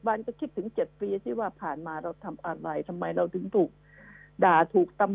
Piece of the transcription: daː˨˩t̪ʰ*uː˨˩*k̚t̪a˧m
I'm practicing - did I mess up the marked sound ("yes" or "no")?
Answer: no